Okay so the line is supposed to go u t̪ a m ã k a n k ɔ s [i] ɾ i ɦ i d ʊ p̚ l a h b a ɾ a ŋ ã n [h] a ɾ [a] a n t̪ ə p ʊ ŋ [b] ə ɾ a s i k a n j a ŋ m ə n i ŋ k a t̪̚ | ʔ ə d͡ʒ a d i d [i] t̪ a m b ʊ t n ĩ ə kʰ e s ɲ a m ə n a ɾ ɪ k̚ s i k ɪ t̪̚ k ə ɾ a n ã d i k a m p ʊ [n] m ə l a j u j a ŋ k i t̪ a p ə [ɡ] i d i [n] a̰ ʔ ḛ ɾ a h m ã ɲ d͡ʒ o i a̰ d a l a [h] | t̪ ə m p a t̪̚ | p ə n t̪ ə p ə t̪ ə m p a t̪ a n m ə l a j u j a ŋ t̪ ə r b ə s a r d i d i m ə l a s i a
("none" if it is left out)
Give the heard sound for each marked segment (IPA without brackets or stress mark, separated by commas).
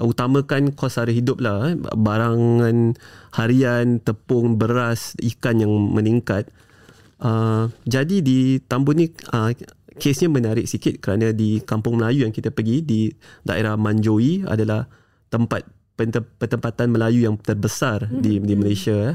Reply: a, h, i, b, i, ŋ, ɡ, d, h